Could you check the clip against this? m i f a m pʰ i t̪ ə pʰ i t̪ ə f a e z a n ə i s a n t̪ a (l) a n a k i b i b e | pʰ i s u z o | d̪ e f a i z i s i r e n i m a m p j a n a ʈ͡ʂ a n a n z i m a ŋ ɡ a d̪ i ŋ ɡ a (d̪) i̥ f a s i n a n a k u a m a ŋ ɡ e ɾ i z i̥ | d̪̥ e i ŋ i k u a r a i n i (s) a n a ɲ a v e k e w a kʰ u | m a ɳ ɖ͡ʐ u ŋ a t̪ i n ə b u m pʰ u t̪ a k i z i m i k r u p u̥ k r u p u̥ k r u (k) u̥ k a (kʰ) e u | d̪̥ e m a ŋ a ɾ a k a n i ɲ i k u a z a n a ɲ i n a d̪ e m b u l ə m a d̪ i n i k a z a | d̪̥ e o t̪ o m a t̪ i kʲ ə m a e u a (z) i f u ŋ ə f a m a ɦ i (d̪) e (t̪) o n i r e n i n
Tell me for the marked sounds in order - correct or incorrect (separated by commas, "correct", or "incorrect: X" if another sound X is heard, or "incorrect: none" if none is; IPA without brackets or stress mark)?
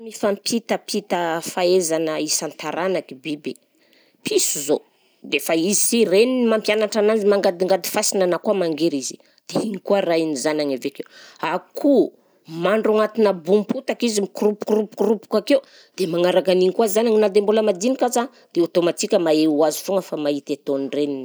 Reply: incorrect: ɾ, correct, incorrect: z, incorrect: p, incorrect: k, correct, incorrect: t̪, correct